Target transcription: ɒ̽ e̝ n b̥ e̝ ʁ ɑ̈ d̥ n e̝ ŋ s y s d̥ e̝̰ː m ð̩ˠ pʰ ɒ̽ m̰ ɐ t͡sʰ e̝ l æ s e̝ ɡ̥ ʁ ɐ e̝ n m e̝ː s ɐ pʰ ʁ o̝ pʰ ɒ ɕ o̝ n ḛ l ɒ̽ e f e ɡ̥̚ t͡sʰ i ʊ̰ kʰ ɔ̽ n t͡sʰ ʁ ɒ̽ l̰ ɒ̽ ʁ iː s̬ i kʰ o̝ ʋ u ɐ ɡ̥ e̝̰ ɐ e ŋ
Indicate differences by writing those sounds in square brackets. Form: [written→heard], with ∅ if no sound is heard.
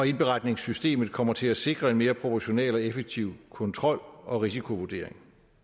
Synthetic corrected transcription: ɒ̽ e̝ n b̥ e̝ ʁ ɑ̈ d̥ n e̝ ŋ s y s d̥ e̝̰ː m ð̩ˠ [pʰ→kʰ] ɒ̽ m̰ ɐ t͡sʰ e̝ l æ s e̝ ɡ̥ ʁ ɐ e̝ n m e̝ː [s→∅] ɐ pʰ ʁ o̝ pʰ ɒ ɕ o̝ n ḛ l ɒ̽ e f e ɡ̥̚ t͡sʰ i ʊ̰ kʰ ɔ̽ n t͡sʰ ʁ ɒ̽ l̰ ɒ̽ ʁ [iː→i] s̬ i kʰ o̝ ʋ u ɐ [ɡ̥→d̥] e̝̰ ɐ e ŋ